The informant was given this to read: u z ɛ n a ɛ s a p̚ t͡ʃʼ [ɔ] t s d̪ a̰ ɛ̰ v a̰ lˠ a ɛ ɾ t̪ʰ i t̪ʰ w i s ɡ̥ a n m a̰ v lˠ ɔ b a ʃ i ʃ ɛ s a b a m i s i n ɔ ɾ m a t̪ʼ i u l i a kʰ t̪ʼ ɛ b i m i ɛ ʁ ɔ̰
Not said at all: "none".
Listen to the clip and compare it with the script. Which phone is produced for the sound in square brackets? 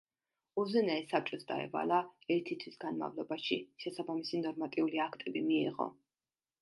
ɔ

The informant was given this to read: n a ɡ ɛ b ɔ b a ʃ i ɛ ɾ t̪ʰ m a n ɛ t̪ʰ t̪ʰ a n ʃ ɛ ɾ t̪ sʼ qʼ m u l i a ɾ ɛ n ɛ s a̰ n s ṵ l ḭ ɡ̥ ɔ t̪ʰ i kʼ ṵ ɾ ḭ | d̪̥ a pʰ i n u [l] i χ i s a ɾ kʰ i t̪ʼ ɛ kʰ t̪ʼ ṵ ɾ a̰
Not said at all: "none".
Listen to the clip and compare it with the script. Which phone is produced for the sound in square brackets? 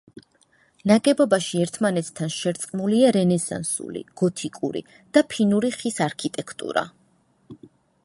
ɾ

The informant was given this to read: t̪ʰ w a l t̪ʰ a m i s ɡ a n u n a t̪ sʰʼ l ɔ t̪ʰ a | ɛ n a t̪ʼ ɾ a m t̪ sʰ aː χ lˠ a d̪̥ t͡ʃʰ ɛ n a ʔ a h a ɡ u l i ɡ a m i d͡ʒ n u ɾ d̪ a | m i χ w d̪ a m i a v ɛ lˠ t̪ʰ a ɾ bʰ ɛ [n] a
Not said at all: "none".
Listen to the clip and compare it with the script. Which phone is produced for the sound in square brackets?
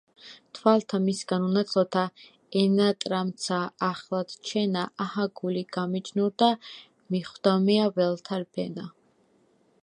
n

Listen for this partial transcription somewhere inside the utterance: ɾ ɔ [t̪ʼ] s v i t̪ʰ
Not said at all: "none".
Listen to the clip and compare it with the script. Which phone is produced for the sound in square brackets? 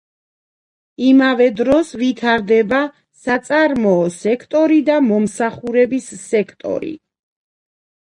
none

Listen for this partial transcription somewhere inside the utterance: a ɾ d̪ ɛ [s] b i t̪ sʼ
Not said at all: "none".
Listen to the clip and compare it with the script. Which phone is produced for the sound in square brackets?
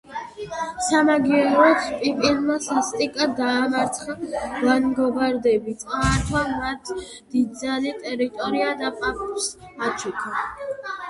none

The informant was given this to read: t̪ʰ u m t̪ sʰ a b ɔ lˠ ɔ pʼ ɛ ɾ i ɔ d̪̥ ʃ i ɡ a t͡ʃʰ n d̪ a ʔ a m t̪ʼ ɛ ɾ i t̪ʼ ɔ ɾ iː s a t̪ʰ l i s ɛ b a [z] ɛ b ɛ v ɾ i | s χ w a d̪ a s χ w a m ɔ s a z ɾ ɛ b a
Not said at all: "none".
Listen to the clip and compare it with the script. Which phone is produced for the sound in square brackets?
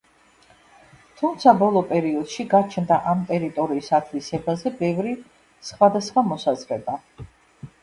z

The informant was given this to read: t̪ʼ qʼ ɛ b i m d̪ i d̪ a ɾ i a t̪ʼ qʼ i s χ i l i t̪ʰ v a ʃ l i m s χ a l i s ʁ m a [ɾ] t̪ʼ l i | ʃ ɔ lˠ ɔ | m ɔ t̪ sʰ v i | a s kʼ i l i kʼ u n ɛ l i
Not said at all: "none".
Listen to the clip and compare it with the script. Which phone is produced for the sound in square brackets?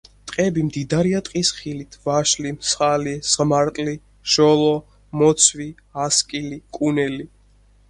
ɾ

